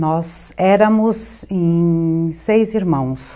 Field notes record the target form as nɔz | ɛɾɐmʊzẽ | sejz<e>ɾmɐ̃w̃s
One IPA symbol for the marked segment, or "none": i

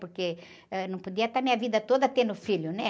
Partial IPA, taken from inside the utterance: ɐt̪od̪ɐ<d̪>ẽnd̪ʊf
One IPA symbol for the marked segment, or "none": t̪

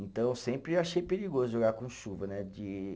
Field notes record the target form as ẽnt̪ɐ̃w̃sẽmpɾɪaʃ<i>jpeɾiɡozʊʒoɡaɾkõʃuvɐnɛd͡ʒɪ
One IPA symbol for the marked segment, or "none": e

